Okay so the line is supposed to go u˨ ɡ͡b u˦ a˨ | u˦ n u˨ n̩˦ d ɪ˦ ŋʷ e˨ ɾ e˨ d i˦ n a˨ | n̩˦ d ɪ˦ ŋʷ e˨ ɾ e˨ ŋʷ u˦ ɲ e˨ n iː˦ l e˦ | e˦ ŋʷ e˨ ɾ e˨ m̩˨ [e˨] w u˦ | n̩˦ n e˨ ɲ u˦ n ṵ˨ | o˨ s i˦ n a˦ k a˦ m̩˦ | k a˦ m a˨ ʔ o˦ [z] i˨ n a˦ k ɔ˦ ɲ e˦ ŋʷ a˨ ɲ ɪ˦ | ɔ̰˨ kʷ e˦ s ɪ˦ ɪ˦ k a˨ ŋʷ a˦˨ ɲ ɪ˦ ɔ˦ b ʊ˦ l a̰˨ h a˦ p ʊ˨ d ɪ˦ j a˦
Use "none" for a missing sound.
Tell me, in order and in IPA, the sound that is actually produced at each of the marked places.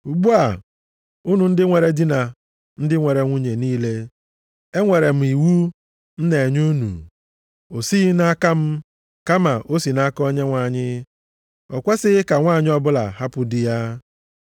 i˨, s

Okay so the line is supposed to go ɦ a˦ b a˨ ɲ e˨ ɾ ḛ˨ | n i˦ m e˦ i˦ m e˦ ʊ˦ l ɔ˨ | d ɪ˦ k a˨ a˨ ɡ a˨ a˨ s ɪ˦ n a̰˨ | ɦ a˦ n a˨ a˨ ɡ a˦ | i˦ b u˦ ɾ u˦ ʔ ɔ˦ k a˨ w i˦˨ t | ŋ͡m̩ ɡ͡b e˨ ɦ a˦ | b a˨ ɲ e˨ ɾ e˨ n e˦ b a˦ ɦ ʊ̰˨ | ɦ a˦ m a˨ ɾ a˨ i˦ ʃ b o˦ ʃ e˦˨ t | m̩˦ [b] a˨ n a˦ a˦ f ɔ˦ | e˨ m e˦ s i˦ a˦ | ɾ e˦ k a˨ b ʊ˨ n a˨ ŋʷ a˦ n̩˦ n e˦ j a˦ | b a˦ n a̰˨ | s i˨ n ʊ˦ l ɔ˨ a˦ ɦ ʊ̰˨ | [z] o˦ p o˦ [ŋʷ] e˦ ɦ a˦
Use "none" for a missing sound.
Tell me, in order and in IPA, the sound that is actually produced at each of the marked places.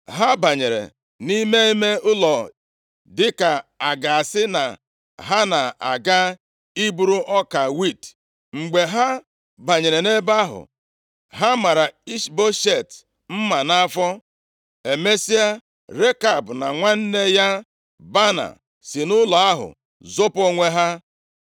m, z, ŋʷ

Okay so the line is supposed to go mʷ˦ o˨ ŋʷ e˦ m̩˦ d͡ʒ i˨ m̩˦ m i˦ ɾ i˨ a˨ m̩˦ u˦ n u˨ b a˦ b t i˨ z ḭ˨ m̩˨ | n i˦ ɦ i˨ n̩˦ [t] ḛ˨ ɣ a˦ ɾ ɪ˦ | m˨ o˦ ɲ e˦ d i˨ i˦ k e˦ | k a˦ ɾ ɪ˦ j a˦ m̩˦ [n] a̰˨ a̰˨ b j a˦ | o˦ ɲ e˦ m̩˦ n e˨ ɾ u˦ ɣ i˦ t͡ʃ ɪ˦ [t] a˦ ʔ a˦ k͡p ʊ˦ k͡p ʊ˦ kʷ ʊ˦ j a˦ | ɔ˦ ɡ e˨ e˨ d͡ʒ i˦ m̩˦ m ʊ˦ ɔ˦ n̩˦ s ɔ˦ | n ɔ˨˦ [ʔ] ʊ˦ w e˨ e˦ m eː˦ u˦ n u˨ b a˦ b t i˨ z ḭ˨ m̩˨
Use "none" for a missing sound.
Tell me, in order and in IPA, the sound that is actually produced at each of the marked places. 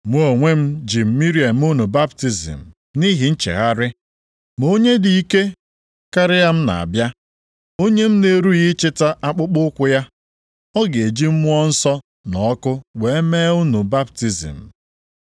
t͡ʃ, n, t, k

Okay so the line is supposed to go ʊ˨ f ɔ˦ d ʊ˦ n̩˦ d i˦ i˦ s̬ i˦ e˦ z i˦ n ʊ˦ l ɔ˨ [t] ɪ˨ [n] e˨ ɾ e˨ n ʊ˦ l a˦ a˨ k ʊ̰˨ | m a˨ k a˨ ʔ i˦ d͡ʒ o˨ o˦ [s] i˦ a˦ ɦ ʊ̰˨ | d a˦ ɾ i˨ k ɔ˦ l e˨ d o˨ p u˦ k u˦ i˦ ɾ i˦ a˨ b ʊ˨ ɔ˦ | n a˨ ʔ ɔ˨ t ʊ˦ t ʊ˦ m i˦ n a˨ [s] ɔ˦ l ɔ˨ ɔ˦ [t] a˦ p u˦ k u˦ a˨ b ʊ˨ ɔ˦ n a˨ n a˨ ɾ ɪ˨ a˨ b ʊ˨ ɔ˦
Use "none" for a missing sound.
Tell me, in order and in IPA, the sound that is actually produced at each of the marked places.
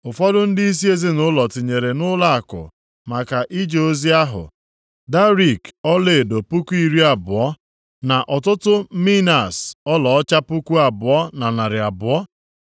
t, ɲ, z, s, t͡ʃ

